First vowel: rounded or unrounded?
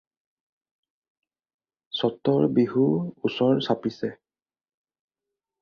rounded